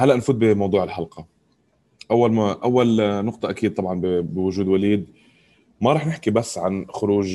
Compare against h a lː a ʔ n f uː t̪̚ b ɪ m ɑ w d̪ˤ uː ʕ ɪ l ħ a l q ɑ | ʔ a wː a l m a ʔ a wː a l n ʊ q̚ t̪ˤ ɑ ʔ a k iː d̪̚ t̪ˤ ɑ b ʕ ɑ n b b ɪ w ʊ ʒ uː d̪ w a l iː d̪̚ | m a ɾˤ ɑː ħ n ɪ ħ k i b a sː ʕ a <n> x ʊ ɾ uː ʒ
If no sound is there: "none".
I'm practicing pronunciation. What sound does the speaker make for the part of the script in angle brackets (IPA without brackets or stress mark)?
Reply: n